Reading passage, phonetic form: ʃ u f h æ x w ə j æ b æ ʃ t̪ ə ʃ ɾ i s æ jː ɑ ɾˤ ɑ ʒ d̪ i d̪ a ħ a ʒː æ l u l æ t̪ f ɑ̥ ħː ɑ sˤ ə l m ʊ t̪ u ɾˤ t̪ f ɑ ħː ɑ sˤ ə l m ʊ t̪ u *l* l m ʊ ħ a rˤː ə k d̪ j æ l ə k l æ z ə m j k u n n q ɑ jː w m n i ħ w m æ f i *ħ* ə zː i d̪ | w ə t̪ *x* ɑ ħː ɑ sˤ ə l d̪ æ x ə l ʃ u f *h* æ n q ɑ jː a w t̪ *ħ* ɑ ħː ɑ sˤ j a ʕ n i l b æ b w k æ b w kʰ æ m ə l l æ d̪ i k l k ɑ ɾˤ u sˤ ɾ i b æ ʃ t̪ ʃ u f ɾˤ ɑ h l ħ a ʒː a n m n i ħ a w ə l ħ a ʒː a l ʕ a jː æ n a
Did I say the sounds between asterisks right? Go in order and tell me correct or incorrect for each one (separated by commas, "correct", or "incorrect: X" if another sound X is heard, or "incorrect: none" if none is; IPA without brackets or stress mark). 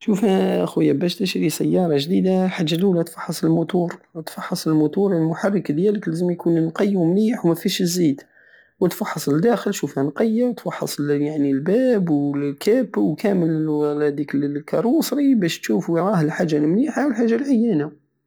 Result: incorrect: ɾ, incorrect: ʃ, incorrect: f, correct, incorrect: f